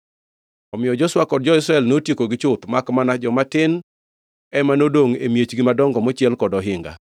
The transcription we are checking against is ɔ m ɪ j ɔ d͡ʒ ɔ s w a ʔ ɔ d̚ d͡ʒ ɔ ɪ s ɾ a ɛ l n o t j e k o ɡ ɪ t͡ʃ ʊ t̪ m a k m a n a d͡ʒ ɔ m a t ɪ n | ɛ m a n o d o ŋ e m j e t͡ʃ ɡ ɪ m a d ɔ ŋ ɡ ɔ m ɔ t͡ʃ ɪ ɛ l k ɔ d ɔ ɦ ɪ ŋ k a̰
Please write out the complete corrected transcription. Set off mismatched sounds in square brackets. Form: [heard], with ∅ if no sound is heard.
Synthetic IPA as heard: ɔ m ɪ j ɔ d͡ʒ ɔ s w a [k] ɔ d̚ d͡ʒ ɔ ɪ s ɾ a ɛ l n o t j e k o ɡ ɪ t͡ʃ ʊ t̪ m a k m a n a d͡ʒ ɔ m a t ɪ n | ɛ m a n o d o ŋ e m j e t͡ʃ ɡ ɪ m a d ɔ ŋ ɡ ɔ m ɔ t͡ʃ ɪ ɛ l k ɔ d ɔ ɦ ɪ ŋ [ɡ] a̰

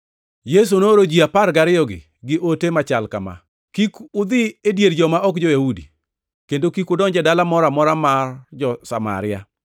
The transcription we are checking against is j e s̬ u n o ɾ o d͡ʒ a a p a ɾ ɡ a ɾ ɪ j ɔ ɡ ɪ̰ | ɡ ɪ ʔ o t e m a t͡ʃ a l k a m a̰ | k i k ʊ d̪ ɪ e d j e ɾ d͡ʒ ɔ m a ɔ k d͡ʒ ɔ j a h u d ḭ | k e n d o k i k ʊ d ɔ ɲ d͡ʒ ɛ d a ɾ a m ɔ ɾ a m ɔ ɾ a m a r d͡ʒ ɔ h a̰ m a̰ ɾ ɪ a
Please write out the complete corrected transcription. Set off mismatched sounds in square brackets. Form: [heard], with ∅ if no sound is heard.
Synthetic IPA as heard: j e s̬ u n o ɾ o d͡ʒ [i] a p a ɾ ɡ a ɾ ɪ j ɔ ɡ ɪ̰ | ɡ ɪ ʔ o t e m a t͡ʃ a l k a m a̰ | k i k ʊ d̪ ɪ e d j e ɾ d͡ʒ ɔ m a ɔ k d͡ʒ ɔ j a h u d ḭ | k e n d o k i k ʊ d ɔ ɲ d͡ʒ ɛ d a [l] a m ɔ ɾ a m ɔ ɾ a m a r d͡ʒ ɔ [s] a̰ m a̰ ɾ ɪ a

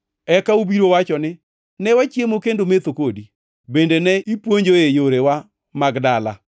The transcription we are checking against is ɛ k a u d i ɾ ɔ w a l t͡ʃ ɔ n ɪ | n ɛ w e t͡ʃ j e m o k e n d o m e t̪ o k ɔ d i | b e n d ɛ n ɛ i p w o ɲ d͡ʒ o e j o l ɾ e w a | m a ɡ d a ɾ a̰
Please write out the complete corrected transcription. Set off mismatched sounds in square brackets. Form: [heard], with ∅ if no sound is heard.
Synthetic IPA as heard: ɛ k a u [b] i ɾ [o] w a [∅] t͡ʃ ɔ n ɪ | n ɛ w [a] t͡ʃ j e m o k e n d o m e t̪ o k [o] d i | b e n d [e] n ɛ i p w o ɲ d͡ʒ o e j o [∅] ɾ e w a | m a ɡ d a [l] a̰

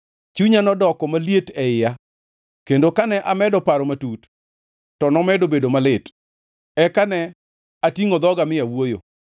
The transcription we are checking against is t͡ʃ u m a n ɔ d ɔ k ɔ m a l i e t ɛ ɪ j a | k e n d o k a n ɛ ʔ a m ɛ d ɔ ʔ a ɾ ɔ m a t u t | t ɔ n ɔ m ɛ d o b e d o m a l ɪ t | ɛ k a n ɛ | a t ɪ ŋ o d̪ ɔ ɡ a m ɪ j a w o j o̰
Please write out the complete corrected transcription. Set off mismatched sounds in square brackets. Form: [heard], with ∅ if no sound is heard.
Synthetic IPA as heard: t͡ʃ u [ɲ] a n ɔ d ɔ k ɔ m a l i e t ɛ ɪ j a | k e n d o k a n ɛ ʔ a m ɛ d ɔ [p] a ɾ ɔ m a t u t | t ɔ n ɔ m ɛ d o b e d o m a l ɪ t | ɛ k a n ɛ | a t [i] ŋ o d̪ ɔ ɡ a m ɪ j a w o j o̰

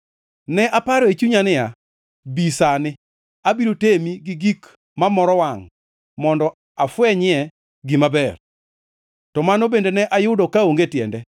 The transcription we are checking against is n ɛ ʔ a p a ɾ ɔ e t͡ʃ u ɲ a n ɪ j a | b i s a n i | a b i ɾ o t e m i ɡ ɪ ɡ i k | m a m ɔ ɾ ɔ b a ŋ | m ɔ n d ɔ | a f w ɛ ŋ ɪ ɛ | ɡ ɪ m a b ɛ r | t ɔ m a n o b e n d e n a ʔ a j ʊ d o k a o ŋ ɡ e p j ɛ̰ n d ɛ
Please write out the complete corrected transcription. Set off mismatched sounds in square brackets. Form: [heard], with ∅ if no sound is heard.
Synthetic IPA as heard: n ɛ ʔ a p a ɾ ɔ e t͡ʃ u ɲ a n ɪ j a | b i s a n [ɪ] | a b i ɾ o t e m i ɡ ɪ ɡ i k | m a m ɔ ɾ ɔ [w] a ŋ | m ɔ n d ɔ | a f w ɛ [ɲ] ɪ ɛ | ɡ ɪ m a b ɛ r | t ɔ m a n o b e n d e n [ɛ] ʔ a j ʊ d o k a o ŋ ɡ e [t] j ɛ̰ n d ɛ

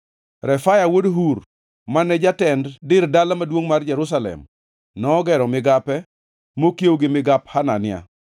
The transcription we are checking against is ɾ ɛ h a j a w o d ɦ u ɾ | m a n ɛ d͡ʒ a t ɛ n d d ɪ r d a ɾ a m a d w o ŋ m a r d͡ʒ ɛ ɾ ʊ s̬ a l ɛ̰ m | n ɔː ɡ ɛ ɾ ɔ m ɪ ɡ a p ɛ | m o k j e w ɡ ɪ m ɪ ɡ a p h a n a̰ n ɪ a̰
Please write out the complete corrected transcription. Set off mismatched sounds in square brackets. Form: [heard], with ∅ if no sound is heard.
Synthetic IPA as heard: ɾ ɛ [f] a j a w o d ɦ u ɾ | m a n ɛ d͡ʒ a t ɛ n d d ɪ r d a [l] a m a d w o ŋ m a r d͡ʒ ɛ ɾ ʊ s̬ a l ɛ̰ m | n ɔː ɡ ɛ ɾ ɔ m ɪ ɡ a p ɛ | m o k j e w ɡ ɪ m ɪ ɡ a p h a n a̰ n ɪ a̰

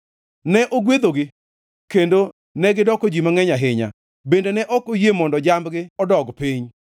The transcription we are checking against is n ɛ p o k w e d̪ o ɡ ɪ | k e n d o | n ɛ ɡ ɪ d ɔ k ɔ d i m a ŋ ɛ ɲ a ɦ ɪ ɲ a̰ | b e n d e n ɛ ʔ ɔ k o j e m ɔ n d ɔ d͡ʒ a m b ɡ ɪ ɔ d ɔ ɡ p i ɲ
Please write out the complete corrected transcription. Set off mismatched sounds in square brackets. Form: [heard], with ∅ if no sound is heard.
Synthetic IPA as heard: n ɛ [ʔ] o [ɡ] w e d̪ o ɡ ɪ | k e n d o | n ɛ ɡ ɪ d ɔ k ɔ [d͡ʒ] i m a ŋ ɛ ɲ a ɦ ɪ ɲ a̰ | b e n d e n ɛ ʔ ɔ k o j e m ɔ n d ɔ d͡ʒ a m b ɡ ɪ ɔ d ɔ ɡ p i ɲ

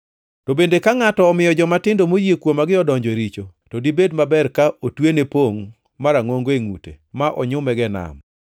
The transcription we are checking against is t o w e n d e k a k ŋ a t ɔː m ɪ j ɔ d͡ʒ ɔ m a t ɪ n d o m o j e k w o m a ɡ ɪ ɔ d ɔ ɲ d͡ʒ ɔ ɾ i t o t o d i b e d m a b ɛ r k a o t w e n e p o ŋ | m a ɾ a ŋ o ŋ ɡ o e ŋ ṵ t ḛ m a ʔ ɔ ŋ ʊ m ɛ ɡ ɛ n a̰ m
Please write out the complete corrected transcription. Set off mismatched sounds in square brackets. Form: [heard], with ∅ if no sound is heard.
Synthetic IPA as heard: t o [b] e n d e k a [∅] ŋ a t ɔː m ɪ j ɔ d͡ʒ ɔ m a t ɪ n d o m o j e k w o m a ɡ ɪ ɔ d ɔ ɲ d͡ʒ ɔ ɾ i [t͡ʃ] o t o d i b e d m a b ɛ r k a o t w e n e p o ŋ | m a ɾ a ŋ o ŋ ɡ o e ŋ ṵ t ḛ m a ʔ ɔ [ɲ] ʊ m ɛ ɡ ɛ n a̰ m

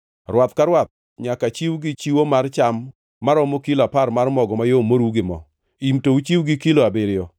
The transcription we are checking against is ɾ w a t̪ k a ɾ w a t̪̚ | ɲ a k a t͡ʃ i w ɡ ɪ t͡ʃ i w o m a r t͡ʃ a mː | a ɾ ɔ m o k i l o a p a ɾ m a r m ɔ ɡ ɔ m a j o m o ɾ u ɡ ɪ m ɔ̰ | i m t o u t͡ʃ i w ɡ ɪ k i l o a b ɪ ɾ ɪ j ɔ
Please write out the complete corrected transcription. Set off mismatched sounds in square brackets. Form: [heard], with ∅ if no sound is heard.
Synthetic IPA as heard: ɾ w a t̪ k a ɾ w a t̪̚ | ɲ a k a t͡ʃ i w ɡ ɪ t͡ʃ i w o m a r t͡ʃ a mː | a ɾ ɔ m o k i l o a p a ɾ m a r m ɔ ɡ ɔ m a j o m o ɾ u ɡ ɪ m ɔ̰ | i m t o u t͡ʃ i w ɡ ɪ k i l o a b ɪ ɾ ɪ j ɔ

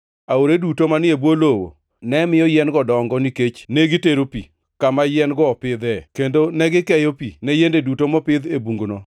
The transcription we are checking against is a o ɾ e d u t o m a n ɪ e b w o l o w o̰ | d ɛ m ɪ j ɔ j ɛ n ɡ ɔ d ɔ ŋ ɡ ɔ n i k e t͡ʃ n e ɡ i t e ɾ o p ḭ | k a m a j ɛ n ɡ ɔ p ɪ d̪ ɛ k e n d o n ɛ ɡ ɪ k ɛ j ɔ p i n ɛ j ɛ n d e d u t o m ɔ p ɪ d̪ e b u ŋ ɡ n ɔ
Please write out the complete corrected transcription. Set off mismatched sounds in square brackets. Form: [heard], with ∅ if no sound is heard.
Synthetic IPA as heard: a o ɾ e d u t o m a n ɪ e b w o l o w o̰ | [n] ɛ m ɪ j ɔ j ɛ n ɡ ɔ d ɔ ŋ ɡ ɔ n i k e t͡ʃ n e ɡ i t e ɾ o p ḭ | k a m a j ɛ n ɡ ɔ p ɪ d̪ ɛ k e n d o n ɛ ɡ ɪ k ɛ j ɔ p i n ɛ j [e] n d e d u t o m ɔ p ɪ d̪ e b u ŋ ɡ n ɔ

